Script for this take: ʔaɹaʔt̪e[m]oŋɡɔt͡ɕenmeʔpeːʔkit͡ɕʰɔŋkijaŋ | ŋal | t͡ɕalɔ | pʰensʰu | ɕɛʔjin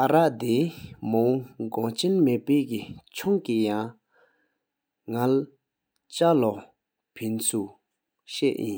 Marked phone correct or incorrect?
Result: correct